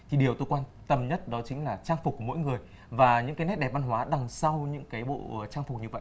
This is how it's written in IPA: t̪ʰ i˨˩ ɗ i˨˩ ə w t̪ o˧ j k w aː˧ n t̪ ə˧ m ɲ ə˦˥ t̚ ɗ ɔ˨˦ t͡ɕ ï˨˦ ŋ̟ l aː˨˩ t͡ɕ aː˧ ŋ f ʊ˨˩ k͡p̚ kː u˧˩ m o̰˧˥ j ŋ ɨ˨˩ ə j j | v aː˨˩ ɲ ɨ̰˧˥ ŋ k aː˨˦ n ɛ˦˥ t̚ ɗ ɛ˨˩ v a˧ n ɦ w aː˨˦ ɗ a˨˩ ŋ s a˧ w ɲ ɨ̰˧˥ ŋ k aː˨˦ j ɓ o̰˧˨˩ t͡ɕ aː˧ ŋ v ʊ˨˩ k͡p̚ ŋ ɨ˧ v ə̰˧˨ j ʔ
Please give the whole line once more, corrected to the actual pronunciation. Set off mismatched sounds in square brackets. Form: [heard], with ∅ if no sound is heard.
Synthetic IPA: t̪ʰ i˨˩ ɗ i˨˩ ə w t̪ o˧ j k w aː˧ n t̪ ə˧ m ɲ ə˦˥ t̚ ɗ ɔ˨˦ t͡ɕ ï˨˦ ŋ̟ l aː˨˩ t͡ɕ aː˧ ŋ f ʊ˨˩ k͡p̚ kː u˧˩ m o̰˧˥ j ŋ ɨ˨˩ ə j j | v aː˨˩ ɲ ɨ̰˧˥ ŋ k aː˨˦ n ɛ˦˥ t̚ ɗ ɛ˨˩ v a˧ n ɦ w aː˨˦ ɗ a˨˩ ŋ s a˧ w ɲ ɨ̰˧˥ ŋ k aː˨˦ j ɓ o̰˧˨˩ t͡ɕ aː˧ ŋ [f] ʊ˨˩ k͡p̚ [ɲ] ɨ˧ v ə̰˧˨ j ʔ